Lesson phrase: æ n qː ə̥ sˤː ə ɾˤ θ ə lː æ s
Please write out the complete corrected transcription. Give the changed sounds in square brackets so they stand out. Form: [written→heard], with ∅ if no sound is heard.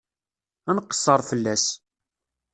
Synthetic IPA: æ n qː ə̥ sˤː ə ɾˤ [θ→f] ə lː æ s